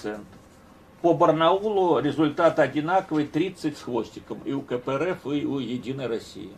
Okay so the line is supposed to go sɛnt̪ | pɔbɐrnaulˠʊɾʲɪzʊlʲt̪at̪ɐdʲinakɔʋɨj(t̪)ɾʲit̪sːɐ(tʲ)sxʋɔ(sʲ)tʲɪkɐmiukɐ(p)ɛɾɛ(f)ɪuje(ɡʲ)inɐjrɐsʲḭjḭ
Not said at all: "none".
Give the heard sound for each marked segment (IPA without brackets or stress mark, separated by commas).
t̪, tʲ, sʲ, p, f, dʲ